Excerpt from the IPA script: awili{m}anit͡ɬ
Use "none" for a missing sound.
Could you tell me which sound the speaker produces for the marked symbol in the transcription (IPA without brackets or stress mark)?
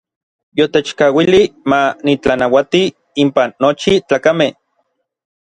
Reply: m